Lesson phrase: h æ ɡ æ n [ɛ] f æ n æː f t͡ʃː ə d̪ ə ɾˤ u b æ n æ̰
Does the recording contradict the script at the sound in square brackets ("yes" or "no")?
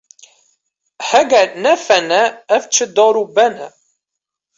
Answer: yes